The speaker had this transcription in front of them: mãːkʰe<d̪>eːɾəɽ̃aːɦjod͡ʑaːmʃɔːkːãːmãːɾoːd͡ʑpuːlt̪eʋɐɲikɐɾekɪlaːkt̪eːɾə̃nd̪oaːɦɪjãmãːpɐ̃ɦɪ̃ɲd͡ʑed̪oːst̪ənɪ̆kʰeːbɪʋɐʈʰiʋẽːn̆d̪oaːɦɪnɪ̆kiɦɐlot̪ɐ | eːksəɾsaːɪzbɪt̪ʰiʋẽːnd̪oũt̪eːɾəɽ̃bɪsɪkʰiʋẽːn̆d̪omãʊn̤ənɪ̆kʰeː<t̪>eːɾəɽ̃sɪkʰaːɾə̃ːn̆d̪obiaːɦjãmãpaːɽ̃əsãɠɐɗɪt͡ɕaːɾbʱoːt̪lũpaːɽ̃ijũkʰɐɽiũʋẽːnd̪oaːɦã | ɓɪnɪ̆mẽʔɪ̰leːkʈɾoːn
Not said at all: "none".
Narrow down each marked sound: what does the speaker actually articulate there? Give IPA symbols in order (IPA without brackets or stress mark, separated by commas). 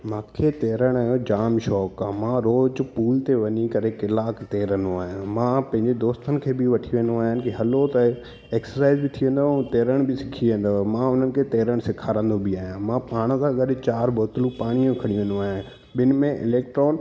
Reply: t̪, t̪